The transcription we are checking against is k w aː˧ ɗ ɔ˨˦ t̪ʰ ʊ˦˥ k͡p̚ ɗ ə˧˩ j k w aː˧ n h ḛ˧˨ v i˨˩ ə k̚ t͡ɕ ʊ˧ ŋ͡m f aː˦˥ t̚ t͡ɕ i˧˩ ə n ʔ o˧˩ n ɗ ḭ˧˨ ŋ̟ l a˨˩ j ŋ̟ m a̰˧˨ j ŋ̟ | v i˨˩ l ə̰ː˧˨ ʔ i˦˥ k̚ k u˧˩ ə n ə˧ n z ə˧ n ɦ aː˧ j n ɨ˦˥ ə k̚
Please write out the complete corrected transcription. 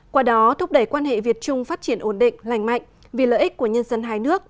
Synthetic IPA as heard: k w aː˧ ɗ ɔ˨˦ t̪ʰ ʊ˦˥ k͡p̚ ɗ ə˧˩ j k w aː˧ n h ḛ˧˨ v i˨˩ ə t̚ t͡ɕ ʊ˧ ŋ͡m f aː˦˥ t̚ t͡ɕ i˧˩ ə n ʔ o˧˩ n ɗ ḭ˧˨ ŋ̟ l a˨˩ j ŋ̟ m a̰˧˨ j ŋ̟ | v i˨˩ l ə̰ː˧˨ ʔ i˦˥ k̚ k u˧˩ ə ɲ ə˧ n z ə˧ n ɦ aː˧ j n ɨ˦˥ ə k̚